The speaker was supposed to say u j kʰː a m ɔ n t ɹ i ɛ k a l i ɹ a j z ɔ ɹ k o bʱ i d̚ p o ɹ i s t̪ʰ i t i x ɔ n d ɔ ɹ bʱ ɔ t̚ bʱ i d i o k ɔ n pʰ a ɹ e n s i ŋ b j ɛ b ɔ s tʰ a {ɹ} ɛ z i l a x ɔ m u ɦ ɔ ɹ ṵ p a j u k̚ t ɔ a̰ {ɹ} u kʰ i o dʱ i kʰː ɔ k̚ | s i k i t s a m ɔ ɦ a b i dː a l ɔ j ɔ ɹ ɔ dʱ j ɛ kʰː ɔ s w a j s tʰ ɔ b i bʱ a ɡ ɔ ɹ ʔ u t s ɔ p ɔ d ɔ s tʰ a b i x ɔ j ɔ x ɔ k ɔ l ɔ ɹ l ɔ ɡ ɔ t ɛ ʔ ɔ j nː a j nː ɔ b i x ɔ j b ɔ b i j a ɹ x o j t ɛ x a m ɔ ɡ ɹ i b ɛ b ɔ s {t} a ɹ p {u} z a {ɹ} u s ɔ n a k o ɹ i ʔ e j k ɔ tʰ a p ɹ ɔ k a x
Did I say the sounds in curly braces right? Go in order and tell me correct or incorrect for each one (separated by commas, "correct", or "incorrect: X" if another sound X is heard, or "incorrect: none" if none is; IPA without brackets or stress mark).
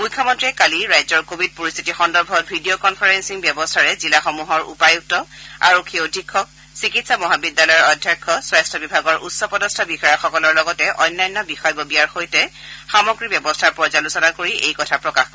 correct, correct, incorrect: tʰ, incorrect: ɔ, incorrect: l